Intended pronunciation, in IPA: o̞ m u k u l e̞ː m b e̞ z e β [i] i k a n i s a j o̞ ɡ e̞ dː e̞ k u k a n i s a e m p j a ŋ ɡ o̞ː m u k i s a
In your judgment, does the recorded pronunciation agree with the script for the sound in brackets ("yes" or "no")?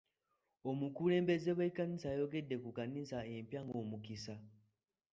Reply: no